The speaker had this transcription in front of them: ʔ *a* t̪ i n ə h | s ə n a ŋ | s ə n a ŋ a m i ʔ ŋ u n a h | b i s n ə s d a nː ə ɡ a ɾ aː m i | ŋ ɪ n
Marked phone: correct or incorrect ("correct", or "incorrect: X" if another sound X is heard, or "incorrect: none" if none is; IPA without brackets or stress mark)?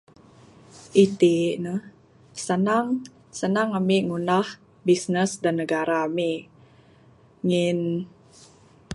incorrect: i